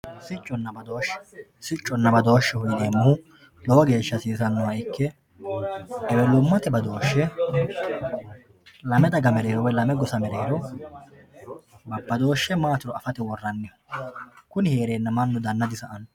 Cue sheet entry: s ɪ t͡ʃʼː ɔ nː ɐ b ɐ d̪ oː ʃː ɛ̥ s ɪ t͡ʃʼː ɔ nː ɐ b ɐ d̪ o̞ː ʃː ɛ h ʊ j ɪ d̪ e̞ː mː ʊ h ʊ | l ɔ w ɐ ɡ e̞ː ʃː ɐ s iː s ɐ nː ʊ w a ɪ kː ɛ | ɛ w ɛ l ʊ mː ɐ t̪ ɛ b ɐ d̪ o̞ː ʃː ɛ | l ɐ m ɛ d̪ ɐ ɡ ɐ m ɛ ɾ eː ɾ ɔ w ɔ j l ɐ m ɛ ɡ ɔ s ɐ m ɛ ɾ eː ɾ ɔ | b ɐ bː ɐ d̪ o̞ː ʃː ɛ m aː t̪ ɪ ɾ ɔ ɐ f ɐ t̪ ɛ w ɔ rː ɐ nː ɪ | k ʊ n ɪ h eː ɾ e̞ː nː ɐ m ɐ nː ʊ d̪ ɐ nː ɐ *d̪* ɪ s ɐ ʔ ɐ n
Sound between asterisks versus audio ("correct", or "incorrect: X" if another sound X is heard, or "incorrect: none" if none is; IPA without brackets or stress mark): correct